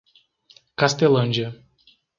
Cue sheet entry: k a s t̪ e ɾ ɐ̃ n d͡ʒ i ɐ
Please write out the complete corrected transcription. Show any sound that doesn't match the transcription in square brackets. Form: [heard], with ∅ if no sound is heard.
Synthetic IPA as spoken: k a s t̪ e [l] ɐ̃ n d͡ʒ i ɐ